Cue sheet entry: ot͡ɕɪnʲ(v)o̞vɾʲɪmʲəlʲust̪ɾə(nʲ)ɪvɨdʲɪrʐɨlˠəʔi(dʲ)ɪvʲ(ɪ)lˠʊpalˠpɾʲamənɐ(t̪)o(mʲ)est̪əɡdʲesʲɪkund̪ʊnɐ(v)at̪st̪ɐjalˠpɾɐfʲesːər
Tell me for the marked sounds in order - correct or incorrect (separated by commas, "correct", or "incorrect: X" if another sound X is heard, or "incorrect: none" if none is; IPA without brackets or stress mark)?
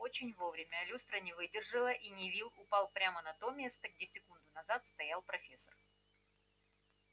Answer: correct, correct, incorrect: nʲ, incorrect: i, correct, correct, incorrect: z